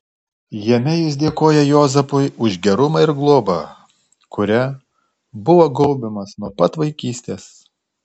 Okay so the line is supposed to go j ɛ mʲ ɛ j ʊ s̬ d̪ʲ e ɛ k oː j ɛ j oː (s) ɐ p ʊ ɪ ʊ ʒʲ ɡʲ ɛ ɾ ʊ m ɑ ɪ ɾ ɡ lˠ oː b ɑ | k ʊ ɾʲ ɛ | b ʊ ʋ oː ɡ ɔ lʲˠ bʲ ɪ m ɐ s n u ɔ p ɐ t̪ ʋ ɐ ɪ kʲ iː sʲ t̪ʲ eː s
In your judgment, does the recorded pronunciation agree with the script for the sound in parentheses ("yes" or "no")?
no